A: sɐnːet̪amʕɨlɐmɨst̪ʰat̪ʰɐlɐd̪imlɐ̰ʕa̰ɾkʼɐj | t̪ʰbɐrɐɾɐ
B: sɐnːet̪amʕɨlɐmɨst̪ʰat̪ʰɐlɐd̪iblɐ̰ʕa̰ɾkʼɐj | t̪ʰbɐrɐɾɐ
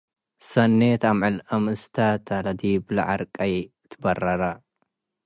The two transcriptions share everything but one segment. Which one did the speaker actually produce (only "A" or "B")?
B